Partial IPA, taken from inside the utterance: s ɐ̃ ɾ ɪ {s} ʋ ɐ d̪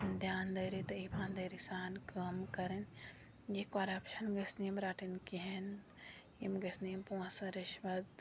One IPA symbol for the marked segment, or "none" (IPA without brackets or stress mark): ʃ